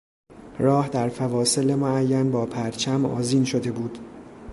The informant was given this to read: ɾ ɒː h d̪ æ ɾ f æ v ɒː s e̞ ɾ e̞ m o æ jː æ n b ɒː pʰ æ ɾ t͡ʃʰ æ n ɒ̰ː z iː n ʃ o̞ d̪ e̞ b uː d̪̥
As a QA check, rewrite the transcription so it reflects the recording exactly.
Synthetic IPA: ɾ ɒː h d̪ æ ɾ f æ v ɒː s e̞ l e̞ m o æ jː æ n b ɒː pʰ æ ɾ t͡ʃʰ æ m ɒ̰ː z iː n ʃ o̞ d̪ e̞ b uː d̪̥